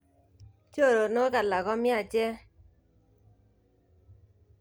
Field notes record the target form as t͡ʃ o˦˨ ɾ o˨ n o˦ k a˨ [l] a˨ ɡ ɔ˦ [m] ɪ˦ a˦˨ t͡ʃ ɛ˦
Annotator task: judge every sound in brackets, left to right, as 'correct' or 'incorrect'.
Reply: correct, correct

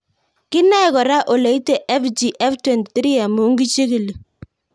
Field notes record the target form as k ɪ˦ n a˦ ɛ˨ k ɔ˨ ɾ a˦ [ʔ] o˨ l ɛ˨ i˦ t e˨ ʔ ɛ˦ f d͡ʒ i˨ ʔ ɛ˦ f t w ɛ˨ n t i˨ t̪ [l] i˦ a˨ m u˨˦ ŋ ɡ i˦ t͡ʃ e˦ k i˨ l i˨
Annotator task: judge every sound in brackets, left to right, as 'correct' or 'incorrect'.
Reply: correct, incorrect: ɾ

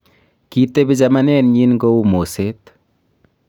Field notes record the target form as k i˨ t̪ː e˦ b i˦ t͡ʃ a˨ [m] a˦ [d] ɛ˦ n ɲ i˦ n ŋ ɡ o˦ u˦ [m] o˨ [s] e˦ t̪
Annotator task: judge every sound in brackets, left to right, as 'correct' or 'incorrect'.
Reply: correct, incorrect: n, correct, correct

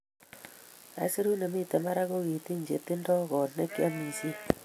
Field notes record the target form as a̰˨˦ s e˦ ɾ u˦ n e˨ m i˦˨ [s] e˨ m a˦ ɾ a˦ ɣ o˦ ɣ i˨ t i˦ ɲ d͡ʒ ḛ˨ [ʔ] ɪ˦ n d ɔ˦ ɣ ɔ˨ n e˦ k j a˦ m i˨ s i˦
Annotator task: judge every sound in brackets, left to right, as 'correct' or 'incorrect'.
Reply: incorrect: t, incorrect: t

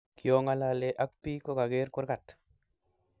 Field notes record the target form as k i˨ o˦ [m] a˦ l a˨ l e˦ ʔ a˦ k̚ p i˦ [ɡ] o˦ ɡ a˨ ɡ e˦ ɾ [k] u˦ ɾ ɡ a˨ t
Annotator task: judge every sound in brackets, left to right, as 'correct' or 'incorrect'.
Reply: incorrect: ŋ, incorrect: k, correct

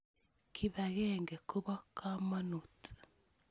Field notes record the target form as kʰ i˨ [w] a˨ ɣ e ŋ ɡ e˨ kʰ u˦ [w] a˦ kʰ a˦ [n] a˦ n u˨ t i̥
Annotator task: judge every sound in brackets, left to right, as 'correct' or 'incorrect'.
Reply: incorrect: β, incorrect: β, incorrect: m

